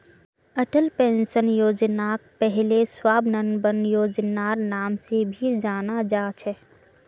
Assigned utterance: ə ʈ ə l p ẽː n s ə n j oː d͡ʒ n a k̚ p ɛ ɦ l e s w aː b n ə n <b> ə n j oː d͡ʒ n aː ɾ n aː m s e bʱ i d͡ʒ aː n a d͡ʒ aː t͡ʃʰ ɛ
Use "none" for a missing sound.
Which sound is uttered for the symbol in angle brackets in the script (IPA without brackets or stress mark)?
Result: b